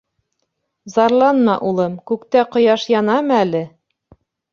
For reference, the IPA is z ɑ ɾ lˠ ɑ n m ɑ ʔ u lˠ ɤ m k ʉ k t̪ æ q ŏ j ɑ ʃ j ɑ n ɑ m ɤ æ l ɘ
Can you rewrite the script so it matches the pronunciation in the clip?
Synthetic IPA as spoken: z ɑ ɾ lˠ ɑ n m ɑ ʔ u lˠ ɤ m k ʉ k t̪ æ q ŏ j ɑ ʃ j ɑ n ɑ m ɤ æ l ɘ